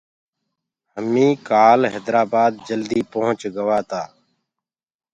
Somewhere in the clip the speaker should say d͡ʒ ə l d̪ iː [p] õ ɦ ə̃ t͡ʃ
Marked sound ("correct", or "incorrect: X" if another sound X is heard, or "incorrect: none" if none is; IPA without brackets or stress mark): correct